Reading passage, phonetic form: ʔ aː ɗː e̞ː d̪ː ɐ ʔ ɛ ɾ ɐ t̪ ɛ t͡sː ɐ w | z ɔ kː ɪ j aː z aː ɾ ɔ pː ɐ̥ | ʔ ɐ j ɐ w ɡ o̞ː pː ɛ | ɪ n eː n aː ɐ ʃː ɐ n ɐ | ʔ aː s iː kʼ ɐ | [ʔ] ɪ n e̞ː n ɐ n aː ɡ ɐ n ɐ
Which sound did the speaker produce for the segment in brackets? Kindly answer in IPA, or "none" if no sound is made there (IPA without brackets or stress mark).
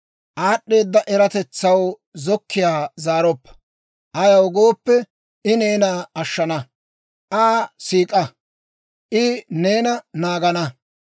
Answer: ʔ